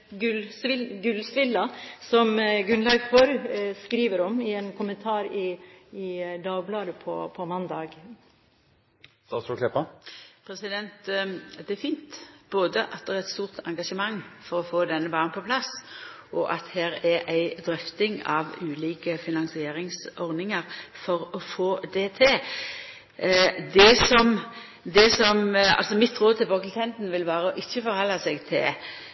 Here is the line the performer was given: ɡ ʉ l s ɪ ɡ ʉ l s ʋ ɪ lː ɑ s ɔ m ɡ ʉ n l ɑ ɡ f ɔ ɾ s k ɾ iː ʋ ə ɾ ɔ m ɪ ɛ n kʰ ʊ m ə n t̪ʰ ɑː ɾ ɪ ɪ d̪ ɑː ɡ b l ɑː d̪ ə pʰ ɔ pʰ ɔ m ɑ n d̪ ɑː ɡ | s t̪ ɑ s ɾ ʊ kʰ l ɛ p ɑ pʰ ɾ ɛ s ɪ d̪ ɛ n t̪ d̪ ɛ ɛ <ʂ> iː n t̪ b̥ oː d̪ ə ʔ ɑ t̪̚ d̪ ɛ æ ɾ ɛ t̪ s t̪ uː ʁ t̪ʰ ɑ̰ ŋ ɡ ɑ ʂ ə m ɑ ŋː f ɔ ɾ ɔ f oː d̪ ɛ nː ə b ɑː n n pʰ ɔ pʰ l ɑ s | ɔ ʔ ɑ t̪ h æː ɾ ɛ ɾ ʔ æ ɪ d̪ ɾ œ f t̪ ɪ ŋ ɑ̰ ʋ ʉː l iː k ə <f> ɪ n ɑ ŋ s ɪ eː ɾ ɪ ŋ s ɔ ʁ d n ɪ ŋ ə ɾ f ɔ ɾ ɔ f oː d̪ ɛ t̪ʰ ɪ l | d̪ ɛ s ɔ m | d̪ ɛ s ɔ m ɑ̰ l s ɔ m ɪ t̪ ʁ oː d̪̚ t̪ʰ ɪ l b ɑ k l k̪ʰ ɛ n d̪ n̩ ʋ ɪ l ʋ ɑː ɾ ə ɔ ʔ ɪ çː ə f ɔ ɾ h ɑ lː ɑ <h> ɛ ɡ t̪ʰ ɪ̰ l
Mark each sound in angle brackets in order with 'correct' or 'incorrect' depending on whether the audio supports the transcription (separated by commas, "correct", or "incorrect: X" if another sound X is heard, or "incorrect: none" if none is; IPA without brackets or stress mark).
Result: incorrect: f, correct, incorrect: s